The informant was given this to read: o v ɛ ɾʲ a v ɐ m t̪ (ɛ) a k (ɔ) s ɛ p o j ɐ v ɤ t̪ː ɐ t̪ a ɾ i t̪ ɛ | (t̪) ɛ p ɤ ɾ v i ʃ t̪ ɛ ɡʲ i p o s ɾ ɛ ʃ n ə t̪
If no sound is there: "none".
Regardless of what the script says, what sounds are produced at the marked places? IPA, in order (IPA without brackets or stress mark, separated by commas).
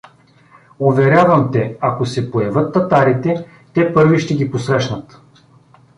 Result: ɛ, o, t̪